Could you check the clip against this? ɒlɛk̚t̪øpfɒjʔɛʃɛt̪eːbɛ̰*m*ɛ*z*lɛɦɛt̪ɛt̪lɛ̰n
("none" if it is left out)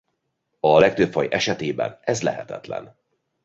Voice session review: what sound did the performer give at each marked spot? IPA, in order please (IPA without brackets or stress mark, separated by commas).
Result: n, z